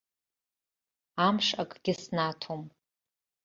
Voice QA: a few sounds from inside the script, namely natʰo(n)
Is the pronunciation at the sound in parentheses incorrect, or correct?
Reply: incorrect